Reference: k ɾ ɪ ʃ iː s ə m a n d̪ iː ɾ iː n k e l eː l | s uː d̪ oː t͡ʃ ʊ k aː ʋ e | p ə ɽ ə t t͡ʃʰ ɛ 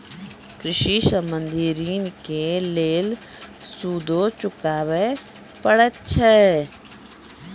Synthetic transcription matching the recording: k ɾ ɪ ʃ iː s ə m ə n d̪ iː ɾ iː n k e l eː l | s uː d̪ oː t͡ʃ ʊ k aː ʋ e | p ə ɽ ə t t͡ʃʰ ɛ